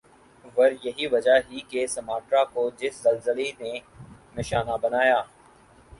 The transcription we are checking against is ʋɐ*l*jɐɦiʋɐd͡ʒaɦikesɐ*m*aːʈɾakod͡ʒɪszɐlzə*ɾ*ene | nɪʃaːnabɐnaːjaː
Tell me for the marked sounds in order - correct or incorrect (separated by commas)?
incorrect, correct, incorrect